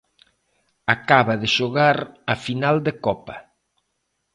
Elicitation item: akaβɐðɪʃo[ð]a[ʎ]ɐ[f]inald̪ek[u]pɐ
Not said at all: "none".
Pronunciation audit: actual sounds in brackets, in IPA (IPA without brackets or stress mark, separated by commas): ɣ, ɾ, f, ɔ